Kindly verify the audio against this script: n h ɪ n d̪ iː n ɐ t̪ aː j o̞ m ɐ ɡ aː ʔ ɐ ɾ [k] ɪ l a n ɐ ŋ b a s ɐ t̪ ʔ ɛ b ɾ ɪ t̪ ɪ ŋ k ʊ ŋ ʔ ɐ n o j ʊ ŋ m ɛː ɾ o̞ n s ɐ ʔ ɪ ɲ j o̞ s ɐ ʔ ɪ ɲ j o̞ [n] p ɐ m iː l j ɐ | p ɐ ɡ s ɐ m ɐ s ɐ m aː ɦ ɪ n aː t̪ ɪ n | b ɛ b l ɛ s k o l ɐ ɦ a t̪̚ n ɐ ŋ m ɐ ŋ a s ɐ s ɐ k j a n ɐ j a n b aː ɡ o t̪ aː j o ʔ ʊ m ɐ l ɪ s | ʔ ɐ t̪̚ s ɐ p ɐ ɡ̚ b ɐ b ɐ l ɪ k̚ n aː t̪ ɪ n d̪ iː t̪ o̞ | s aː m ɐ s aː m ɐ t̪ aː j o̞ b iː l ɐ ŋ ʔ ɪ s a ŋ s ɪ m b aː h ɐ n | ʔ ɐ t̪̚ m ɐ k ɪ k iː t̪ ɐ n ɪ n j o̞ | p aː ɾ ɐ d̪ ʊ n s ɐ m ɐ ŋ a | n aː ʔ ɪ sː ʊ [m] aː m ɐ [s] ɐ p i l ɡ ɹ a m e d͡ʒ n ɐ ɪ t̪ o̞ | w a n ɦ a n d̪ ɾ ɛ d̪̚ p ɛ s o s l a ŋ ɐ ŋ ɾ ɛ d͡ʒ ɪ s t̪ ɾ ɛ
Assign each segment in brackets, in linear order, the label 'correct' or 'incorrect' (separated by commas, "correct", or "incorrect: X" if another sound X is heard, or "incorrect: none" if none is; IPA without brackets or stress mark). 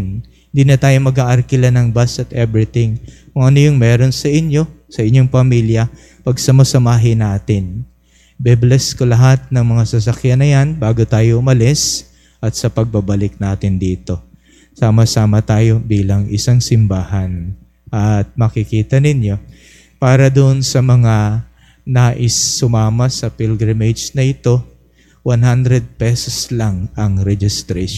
correct, incorrect: ŋ, correct, correct